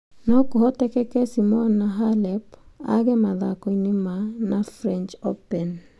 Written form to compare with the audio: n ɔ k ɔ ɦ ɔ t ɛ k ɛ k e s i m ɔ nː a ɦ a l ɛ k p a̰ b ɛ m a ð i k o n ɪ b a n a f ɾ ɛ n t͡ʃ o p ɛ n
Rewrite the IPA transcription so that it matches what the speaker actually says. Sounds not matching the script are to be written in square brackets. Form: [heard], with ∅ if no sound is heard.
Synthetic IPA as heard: n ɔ k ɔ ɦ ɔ t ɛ k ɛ k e s i m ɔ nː a ɦ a l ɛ [∅] p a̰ [ɡ] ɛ m a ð [a] k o n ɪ [m] a n a f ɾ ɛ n t͡ʃ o p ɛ n